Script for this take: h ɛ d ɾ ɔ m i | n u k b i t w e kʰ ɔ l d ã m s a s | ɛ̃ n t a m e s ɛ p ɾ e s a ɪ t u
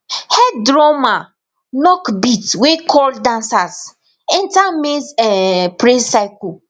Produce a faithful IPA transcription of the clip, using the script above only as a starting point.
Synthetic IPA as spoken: h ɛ d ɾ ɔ m a | n ɔ k b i t w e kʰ ɔ l d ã n s a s | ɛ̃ n t a m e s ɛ p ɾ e s a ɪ k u